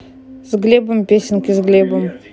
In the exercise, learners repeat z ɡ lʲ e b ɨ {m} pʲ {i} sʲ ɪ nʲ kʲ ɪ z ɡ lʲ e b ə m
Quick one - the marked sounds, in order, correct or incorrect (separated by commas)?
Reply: correct, incorrect